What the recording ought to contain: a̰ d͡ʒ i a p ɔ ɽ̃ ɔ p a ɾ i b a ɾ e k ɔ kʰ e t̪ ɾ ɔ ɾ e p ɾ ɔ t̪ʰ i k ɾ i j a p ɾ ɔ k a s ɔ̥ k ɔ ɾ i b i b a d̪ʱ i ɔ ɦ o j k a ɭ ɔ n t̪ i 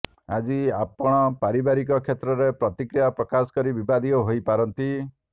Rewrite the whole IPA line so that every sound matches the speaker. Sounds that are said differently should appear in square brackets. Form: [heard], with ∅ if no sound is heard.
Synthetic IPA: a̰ d͡ʒ i a p ɔ ɽ̃ ɔ p a ɾ i b a ɾ [i] k ɔ kʰ e t̪ ɾ ɔ ɾ e p ɾ ɔ [t̪] i k ɾ i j a p ɾ ɔ k a s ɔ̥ k ɔ ɾ i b i b a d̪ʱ i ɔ ɦ o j [p] a [ɾ] ɔ n t̪ i